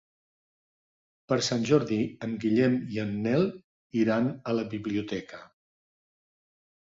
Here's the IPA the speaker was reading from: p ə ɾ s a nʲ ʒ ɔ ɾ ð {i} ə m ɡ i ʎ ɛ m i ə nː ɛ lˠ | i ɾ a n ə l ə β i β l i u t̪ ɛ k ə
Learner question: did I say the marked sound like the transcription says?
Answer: yes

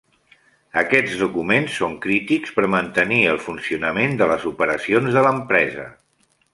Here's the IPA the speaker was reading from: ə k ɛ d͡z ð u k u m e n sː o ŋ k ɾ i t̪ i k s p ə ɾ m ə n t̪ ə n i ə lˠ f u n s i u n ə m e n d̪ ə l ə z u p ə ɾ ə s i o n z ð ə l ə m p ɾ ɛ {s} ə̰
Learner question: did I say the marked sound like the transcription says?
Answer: no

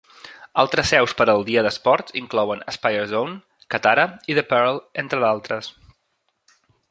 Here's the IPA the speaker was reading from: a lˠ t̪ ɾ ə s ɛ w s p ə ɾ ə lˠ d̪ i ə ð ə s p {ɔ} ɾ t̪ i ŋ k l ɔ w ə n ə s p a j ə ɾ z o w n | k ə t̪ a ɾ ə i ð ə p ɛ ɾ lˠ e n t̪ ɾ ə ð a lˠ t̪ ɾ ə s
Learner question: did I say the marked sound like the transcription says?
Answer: yes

